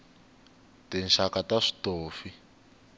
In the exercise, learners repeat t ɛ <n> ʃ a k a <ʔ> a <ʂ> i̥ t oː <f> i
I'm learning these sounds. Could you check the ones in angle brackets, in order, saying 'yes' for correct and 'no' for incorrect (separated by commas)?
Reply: yes, no, yes, yes